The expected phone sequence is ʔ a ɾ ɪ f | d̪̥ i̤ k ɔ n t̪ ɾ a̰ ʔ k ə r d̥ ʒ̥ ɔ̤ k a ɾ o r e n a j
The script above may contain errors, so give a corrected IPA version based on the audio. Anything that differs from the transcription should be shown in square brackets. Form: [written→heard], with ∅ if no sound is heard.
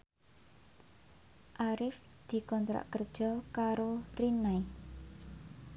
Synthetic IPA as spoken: ʔ a ɾ ɪ f | d̪̥ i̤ k ɔ n t̪ ɾ a̰ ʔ k ə r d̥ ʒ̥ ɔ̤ k a ɾ o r [e→i] n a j